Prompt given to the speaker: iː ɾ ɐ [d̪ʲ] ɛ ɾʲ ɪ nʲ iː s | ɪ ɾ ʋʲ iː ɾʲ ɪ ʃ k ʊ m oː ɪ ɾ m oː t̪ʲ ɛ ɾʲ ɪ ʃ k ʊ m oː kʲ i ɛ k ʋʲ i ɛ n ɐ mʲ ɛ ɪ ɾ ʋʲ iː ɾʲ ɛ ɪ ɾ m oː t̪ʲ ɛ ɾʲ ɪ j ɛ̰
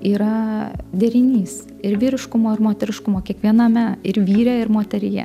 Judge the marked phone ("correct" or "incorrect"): correct